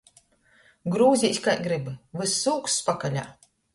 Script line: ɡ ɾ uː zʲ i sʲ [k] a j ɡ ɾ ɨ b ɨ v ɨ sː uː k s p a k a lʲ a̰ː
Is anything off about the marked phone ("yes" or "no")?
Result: no